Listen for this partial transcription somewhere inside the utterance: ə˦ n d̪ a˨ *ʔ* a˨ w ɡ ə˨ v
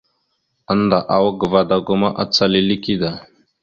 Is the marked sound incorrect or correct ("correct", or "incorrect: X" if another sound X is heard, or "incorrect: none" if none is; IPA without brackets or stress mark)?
correct